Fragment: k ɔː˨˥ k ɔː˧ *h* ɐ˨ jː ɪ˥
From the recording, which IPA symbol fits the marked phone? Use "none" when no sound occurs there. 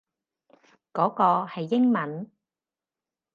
h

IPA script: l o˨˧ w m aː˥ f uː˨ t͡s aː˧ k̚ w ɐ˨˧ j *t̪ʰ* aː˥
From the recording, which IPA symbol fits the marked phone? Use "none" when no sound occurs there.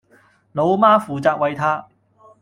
t̪ʰ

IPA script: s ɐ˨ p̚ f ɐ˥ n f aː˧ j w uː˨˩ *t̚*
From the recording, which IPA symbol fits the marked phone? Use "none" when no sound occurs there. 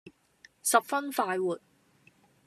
t̚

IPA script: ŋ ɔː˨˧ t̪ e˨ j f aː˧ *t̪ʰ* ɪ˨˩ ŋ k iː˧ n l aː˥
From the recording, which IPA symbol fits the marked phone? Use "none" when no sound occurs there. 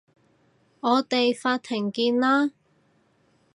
t̪ʰ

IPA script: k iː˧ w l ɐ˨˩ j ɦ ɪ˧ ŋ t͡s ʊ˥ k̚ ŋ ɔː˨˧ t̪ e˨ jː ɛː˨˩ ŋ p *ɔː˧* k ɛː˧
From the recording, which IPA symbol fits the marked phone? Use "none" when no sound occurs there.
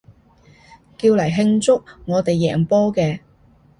ɔː˥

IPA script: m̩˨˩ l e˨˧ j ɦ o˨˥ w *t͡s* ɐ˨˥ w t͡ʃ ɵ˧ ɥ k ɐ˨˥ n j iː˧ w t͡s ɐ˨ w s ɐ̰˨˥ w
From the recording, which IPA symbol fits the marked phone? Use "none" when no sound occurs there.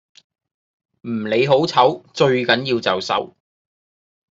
t͡sʰ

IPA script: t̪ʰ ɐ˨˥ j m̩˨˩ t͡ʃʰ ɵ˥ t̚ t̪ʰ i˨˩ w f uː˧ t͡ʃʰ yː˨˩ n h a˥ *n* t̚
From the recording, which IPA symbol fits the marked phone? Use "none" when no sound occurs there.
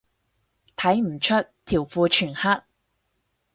none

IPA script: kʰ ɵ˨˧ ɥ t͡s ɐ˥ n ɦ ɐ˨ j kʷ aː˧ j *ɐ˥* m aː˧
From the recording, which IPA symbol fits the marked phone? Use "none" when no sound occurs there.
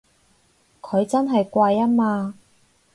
ɐ˥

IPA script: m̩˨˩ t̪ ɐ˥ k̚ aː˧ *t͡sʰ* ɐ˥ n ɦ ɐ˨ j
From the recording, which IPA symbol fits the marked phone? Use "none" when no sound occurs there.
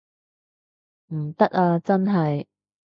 t͡s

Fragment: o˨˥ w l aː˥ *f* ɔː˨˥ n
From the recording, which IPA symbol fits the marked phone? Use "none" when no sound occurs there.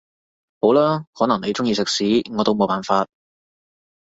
h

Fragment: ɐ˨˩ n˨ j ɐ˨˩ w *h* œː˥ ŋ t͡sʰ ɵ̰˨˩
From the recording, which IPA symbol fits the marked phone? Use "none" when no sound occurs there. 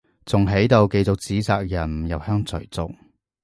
h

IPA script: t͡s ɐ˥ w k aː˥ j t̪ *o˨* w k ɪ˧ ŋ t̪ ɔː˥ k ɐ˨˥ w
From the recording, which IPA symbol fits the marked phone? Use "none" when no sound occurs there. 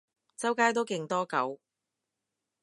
o˥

